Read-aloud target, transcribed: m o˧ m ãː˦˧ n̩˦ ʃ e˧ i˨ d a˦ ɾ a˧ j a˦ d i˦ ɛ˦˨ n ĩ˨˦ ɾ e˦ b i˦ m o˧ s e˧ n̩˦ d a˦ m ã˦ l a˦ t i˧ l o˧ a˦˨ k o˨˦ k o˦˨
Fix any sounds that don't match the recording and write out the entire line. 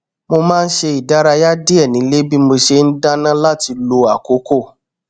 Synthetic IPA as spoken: m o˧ m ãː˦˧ n̩˦ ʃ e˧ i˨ d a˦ ɾ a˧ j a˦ d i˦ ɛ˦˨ n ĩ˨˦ l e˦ b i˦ m o˧ ʃ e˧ n̩˦ d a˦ n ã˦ l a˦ t i˧ l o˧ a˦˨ k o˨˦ k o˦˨

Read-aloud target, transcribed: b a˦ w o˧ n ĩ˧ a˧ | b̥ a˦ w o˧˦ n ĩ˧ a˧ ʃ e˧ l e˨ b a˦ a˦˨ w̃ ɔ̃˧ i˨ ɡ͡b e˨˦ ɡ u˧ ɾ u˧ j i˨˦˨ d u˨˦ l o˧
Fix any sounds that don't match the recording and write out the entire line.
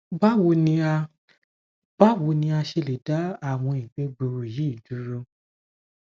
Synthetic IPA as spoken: b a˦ w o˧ n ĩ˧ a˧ | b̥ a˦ w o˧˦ n ĩ˧ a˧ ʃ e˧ l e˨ d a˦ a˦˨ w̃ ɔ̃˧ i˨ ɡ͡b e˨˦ ɡ͡b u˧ ɾ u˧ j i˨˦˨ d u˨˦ ɾ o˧

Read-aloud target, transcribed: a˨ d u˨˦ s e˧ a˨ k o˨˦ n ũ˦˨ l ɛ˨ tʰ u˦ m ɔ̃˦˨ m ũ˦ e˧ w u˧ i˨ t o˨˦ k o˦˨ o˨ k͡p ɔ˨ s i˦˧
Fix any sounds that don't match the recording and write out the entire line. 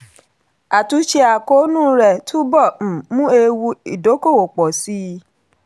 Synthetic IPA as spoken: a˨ t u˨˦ ʃ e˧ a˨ k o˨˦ n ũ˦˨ ɾ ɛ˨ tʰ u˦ b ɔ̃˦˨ m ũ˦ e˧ w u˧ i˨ d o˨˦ k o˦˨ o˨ k͡p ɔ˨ s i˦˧

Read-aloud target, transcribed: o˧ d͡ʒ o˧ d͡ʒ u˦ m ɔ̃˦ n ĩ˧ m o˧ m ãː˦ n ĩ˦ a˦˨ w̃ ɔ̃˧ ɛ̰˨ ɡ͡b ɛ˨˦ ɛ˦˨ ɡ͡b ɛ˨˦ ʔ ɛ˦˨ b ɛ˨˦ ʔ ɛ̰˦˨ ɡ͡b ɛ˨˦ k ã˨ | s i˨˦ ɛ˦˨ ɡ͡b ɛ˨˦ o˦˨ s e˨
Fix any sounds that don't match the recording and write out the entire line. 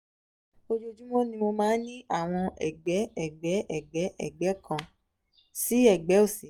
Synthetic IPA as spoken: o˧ d͡ʒ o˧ d͡ʒ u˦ m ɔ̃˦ n ĩ˧ m o˧ m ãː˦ n ĩ˦ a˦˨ w̃ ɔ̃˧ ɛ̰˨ ɡ͡b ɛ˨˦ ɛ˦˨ ɡ͡b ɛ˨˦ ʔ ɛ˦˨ ɡ͡b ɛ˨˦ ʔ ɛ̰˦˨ ɡ͡b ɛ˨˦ k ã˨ | s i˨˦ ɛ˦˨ ɡ͡b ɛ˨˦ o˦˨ s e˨

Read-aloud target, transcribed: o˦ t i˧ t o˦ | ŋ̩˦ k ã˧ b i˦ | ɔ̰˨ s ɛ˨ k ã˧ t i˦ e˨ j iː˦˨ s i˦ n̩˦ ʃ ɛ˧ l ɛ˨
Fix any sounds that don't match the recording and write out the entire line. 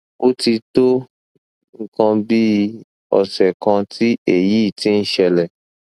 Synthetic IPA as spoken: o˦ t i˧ t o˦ | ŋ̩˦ k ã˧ b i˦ | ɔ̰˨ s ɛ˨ k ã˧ t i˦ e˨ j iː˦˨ t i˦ n̩˦ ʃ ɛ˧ l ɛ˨

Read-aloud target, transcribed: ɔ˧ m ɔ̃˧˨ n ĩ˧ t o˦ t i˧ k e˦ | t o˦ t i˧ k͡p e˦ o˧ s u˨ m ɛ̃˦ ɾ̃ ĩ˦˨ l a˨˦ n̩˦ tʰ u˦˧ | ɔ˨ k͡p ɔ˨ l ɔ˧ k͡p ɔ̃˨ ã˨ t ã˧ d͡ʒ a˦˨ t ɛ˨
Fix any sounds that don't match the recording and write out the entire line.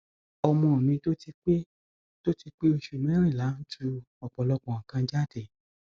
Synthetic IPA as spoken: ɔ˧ m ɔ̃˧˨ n ĩ˧ t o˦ t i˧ k͡p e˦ | t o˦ t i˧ k͡p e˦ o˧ ʃ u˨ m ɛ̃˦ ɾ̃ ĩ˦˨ l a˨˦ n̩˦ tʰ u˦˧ | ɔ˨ k͡p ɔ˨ l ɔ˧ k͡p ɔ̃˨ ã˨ k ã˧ d͡ʒ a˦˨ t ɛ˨

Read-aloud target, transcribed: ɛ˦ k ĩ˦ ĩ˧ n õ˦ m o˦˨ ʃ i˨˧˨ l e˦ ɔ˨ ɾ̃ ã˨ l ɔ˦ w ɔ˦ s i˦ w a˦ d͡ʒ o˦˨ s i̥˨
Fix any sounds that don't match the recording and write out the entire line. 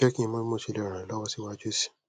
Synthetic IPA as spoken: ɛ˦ k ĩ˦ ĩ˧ m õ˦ m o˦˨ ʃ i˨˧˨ l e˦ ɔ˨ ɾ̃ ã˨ l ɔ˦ w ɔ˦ s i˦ w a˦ d͡ʒ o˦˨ s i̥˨

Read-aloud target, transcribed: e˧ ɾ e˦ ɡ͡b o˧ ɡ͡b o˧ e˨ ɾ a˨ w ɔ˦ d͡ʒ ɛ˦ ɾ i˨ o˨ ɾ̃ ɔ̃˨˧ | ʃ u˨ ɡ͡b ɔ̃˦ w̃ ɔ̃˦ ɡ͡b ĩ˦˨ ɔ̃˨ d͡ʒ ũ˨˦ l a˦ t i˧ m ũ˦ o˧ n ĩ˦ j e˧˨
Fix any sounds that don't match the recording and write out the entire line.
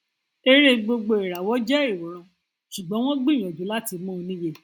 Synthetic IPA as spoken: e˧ ɾ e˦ ɡ͡b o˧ ɡ͡b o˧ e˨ ɾ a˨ w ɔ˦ d͡ʒ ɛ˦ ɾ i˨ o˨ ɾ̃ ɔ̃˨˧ | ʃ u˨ ɡ͡b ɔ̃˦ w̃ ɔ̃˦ ɡ͡b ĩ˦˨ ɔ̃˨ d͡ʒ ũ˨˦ l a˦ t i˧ m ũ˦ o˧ n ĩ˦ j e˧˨

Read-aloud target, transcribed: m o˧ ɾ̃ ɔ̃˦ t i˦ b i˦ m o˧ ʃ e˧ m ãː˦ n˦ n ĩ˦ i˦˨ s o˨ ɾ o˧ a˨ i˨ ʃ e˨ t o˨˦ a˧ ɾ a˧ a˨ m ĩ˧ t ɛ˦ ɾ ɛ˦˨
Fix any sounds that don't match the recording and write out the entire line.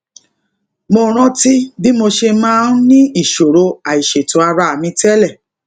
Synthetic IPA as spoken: m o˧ ɾ̃ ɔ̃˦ t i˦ b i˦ m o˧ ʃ e˧ m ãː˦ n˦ n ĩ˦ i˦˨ ʃ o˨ ɾ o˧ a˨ i˨ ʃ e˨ t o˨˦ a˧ ɾ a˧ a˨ m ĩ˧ t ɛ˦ l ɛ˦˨

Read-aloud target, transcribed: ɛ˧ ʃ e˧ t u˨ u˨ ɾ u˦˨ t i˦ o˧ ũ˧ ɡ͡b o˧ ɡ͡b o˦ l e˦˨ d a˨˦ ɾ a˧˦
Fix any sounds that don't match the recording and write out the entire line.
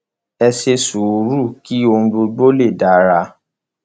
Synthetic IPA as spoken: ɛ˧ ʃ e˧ s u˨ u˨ ɾ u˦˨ k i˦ o˧ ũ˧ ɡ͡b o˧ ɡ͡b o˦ l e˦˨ d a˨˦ ɾ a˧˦

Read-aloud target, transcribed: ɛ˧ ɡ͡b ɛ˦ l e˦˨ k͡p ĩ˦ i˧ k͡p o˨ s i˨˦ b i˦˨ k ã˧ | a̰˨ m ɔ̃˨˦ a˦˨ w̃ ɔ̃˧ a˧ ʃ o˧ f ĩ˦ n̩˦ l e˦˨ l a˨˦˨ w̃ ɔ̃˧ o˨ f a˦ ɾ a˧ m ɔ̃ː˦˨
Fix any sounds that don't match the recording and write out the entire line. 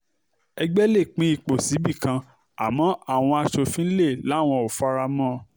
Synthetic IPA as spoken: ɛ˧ ɡ͡b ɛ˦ l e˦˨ k͡p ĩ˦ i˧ k͡p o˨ s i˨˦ b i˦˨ k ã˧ | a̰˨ m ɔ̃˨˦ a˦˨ w̃ ɔ̃˧ a˧ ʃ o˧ f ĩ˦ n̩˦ l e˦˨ l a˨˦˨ w̃ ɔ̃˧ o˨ f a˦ ɾ a˧ m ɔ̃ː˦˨

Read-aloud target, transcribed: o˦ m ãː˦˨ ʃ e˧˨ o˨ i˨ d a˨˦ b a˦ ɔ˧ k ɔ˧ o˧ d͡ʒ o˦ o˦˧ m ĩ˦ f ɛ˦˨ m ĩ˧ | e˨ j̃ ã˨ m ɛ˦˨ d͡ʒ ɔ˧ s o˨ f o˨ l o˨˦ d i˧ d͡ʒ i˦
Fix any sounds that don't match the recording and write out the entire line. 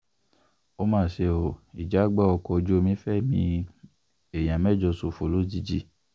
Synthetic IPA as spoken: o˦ m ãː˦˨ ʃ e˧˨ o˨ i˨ d͡ʒ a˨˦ ɡ͡b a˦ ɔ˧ k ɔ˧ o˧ d͡ʒ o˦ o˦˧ m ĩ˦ f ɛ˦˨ m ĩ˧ | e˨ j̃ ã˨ m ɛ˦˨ d͡ʒ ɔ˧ s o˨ f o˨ l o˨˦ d i˧ d͡ʒ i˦

